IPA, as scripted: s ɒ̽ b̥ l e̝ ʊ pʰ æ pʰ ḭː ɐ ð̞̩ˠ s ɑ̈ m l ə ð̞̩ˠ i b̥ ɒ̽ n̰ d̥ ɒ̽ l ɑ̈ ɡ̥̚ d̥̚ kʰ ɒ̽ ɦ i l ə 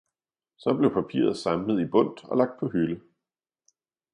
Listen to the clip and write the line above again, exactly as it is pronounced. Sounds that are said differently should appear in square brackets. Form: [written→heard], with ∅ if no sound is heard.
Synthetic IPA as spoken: s ɒ̽ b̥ l e̝ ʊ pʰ æ pʰ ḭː ɐ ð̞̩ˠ s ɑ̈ m l ə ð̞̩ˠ i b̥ [ɒ̽→ɔ̽] n̰ d̥ ɒ̽ l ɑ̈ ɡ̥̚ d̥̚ [kʰ→pʰ] ɒ̽ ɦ [i→y] l ə